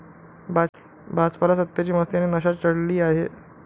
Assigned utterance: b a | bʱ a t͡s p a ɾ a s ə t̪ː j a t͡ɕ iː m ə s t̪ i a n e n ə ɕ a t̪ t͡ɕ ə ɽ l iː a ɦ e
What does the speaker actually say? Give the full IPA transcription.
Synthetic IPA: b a | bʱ a t͡s p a l a s ə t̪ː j a t͡ɕ iː m ə s t̪ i a n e n ə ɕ a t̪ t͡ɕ ə ɽ l iː a ɦ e